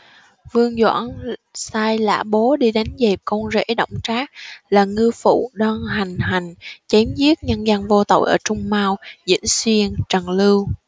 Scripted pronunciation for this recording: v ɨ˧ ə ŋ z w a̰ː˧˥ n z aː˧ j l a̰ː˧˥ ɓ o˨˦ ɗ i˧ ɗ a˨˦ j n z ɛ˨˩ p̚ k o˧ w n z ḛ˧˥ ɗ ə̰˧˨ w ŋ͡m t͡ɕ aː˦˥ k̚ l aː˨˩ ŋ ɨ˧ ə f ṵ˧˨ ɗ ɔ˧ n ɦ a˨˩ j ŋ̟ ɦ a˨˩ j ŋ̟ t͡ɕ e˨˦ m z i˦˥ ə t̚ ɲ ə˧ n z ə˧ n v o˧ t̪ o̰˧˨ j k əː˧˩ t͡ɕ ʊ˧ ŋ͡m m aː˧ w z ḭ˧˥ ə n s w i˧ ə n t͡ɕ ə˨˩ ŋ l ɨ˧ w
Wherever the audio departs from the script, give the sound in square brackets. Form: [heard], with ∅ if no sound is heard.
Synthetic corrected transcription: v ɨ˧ ə ŋ z w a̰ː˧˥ n [s] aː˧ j l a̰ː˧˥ ɓ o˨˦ ɗ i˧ ɗ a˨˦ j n z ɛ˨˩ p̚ k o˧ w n z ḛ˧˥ ɗ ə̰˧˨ w ŋ͡m t͡ɕ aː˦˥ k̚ l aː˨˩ ŋ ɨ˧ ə f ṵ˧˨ ɗ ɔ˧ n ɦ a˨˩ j ŋ̟ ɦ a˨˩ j ŋ̟ t͡ɕ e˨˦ m z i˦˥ ə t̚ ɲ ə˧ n z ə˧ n v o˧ t̪ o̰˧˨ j [ʔ] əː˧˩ t͡ɕ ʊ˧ ŋ͡m m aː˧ w z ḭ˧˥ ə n s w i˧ ə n t͡ɕ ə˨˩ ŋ l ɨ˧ w